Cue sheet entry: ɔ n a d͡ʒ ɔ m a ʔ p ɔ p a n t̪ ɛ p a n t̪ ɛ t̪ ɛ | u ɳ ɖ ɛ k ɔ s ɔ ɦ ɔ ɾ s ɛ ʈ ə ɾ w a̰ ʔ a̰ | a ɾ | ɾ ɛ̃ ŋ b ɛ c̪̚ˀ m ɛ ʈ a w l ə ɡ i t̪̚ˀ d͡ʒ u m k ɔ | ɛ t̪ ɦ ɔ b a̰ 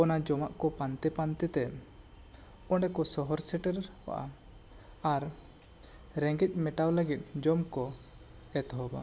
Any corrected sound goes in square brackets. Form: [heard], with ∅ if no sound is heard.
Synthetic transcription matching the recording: ɔ n a d͡ʒ ɔ m a ʔ [k] ɔ p a n t̪ ɛ p a n t̪ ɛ t̪ ɛ | [ɔ] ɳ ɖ ɛ k ɔ s ɔ ɦ ɔ ɾ s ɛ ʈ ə ɾ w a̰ ʔ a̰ | a ɾ | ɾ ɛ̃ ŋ [ɡ] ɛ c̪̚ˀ m ɛ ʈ a w l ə ɡ i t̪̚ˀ d͡ʒ [ɔ] m k ɔ | ɛ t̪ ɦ ɔ b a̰